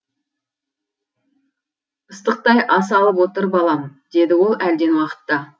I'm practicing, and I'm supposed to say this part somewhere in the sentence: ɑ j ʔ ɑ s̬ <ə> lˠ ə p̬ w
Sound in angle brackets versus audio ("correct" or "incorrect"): incorrect